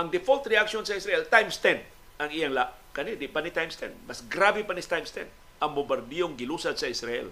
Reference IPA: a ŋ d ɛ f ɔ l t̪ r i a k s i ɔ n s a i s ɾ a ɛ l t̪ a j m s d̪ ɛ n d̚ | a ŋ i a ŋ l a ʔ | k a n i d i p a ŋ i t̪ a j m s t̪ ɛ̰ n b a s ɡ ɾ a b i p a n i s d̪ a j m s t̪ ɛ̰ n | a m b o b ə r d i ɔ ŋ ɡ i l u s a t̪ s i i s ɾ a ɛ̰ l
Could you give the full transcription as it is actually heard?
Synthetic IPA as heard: a ŋ d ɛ f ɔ l t̪ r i a k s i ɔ n s a i s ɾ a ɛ l t̪ a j m s t̪ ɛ n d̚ | a ŋ i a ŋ l a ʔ | k a n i d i p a n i t̪ a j m s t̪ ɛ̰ n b a s ɡ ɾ a b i p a n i s t̪ a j m s t̪ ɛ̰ n | a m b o b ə r d i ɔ ŋ ɡ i l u s a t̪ s a i s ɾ a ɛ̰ l